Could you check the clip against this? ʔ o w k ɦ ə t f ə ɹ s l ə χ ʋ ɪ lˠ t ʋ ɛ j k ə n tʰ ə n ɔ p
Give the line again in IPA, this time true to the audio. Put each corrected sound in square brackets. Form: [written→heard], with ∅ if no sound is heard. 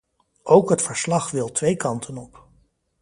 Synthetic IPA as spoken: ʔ o w k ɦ ə t f ə ɹ s l [ə→ɑ] χ ʋ ɪ lˠ t ʋ [ɛ→e] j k [ə→ɑ] n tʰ ə n ɔ p